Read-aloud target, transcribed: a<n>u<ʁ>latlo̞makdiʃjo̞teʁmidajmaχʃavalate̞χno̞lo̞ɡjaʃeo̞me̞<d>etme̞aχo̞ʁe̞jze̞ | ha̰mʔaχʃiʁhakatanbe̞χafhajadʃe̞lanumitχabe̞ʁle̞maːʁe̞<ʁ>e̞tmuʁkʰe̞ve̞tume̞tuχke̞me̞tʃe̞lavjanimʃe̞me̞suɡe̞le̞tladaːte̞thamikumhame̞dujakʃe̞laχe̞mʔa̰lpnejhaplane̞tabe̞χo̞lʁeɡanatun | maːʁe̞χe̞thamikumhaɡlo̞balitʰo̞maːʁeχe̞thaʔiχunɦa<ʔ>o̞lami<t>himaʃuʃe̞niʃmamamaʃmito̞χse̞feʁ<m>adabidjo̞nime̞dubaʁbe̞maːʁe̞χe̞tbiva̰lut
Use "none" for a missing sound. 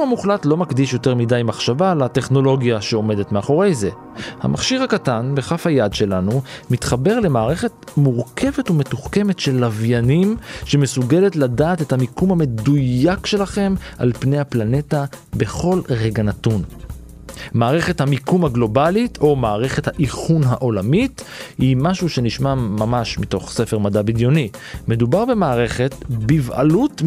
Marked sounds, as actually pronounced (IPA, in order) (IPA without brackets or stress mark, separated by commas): m, χ, d, χ, ʔ, t, m